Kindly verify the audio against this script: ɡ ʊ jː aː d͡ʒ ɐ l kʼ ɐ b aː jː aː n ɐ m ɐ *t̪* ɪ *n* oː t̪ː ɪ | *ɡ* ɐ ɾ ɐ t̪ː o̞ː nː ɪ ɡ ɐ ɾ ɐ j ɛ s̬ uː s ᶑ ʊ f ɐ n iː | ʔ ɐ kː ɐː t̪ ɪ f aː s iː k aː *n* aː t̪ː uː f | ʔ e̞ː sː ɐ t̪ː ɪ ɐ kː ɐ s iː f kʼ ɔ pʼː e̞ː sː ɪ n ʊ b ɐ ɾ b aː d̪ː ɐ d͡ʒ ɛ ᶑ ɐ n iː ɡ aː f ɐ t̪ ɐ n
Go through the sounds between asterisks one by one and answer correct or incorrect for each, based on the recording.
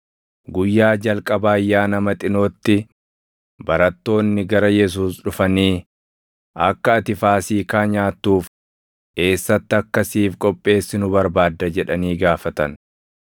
incorrect, correct, incorrect, incorrect

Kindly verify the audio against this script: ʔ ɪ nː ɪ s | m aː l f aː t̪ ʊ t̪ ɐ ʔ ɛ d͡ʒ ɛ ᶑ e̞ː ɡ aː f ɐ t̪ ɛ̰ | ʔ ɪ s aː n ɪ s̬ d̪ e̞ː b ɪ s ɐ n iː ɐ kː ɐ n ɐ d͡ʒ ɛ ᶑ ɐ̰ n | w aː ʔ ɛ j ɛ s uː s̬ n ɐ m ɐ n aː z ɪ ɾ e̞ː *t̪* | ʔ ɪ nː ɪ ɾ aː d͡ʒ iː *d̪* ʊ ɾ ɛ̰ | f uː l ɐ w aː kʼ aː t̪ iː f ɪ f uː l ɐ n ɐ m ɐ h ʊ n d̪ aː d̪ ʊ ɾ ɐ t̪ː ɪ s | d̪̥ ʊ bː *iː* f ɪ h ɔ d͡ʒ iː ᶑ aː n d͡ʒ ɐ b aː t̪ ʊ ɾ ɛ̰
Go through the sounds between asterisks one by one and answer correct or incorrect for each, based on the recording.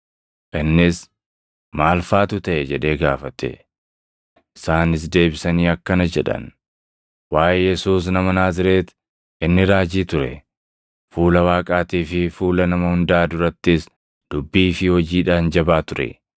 correct, incorrect, correct

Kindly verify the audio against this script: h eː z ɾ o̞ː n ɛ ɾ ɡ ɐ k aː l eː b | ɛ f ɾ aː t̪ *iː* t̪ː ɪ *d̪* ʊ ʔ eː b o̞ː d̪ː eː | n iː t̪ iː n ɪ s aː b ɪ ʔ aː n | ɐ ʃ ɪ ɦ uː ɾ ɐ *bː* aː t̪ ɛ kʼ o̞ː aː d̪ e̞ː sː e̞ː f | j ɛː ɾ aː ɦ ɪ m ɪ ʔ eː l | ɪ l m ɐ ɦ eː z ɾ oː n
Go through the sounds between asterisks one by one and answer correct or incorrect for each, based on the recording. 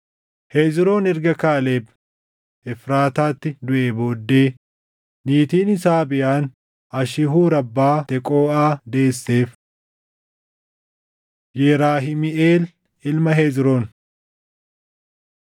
incorrect, correct, correct

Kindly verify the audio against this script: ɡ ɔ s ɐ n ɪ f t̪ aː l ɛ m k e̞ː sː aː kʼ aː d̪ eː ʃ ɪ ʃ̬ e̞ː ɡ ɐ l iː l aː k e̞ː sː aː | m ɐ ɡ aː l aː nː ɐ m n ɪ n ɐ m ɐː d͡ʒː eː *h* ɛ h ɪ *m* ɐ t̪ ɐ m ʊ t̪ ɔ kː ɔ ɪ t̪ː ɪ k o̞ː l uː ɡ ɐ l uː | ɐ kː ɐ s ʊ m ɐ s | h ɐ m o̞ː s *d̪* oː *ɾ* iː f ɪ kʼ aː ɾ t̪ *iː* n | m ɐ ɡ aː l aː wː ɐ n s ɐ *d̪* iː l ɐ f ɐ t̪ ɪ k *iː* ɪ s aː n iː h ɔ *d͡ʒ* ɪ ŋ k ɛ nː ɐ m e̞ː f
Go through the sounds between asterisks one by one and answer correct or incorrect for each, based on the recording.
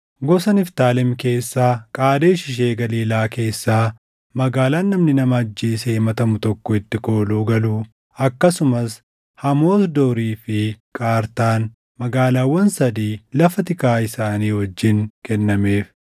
incorrect, correct, correct, correct, incorrect, correct, incorrect, incorrect

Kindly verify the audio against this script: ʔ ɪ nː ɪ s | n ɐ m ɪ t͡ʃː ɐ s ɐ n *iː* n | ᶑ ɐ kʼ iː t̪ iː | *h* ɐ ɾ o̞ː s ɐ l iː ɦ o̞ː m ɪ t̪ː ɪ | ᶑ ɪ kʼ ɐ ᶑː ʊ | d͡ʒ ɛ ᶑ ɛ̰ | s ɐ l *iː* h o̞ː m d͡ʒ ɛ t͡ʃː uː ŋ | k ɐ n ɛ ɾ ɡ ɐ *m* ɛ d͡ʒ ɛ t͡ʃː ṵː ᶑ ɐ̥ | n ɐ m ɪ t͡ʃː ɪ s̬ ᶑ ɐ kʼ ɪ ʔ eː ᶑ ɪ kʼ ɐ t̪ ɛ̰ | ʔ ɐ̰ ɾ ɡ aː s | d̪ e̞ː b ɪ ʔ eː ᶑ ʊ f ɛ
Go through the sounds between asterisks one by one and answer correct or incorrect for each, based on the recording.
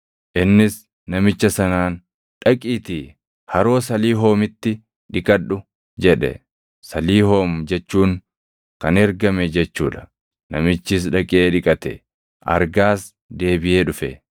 incorrect, correct, correct, correct

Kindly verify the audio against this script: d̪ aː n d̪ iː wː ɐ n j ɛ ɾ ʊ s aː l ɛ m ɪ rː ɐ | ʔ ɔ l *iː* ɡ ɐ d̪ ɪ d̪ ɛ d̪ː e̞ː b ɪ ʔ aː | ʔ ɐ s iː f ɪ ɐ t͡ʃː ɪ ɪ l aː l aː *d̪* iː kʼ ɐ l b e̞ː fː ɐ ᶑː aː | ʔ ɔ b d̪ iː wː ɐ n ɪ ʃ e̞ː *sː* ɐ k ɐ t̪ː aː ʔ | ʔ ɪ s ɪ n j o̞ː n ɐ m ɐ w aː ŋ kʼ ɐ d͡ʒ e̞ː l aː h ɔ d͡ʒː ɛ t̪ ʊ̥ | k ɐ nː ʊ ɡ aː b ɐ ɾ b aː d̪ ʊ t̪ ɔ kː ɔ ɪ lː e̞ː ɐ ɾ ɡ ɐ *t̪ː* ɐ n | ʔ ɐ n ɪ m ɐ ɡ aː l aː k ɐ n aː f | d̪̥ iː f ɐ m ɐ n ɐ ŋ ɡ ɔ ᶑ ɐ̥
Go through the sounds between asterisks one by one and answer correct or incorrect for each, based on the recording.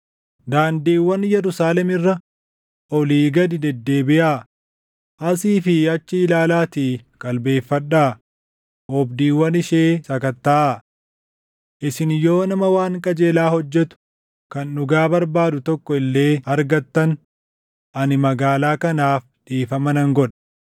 correct, incorrect, incorrect, correct

